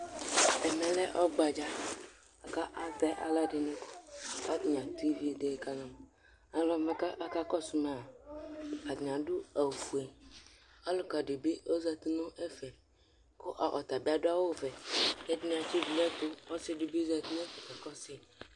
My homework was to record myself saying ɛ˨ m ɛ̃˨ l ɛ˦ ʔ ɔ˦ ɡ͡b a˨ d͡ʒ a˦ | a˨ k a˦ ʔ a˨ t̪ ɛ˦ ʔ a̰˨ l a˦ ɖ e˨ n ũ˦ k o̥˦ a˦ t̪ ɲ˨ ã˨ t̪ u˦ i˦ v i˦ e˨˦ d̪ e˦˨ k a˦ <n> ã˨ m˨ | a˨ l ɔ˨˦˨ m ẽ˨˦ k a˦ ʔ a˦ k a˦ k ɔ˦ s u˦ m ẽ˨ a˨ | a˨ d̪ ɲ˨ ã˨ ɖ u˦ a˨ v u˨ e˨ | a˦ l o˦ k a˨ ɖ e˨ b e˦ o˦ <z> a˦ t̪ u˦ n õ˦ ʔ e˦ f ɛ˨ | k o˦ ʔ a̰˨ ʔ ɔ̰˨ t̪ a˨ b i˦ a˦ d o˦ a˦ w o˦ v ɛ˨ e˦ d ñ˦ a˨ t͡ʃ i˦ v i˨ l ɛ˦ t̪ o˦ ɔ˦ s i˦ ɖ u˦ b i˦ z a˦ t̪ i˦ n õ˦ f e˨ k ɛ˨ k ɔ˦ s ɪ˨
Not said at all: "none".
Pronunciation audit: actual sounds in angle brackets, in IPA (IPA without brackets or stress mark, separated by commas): n, z